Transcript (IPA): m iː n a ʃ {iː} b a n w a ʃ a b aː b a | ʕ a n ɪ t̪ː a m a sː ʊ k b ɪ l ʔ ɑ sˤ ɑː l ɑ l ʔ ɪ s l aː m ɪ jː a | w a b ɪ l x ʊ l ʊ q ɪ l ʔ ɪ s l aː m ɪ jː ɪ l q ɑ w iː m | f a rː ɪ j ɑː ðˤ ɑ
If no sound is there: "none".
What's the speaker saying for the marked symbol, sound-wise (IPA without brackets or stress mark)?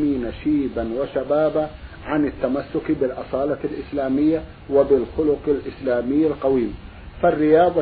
iː